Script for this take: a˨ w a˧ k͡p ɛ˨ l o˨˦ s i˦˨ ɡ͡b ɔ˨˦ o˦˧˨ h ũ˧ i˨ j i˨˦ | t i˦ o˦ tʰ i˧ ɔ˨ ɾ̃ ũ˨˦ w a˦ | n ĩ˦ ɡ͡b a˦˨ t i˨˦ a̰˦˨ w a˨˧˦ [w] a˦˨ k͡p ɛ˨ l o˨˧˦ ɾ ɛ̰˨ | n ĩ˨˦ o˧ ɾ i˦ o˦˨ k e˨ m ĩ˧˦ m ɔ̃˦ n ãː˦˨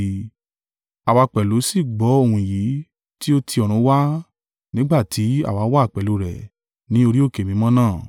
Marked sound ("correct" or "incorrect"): correct